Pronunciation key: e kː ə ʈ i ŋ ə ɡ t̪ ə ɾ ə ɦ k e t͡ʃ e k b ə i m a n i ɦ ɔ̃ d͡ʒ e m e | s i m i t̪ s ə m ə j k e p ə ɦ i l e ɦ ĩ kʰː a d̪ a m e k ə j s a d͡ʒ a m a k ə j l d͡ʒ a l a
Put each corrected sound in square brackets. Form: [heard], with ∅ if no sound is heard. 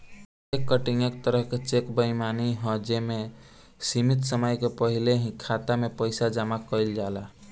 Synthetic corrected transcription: e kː ə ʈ i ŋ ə [k] t̪ ə ɾ ə ɦ k e t͡ʃ e k b ə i m a n i ɦ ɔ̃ d͡ʒ e m e | s i m i t̪ s ə m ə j k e p ə ɦ i l e ɦ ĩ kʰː a [t̪] a m e [p] ə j s a d͡ʒ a m a k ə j l d͡ʒ a l a